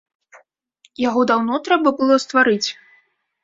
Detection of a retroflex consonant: absent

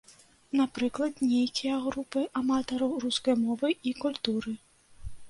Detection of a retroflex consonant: absent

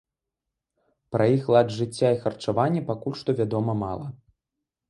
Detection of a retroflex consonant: present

